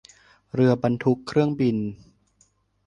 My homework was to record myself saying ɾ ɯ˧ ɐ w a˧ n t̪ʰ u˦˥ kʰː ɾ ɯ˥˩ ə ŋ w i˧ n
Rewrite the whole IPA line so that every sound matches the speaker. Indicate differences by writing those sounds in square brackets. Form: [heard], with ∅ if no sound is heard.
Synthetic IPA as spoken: ɾ ɯ˧ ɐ [b] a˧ n t̪ʰ u˦˥ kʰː ɾ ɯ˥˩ ə ŋ [b] i˧ n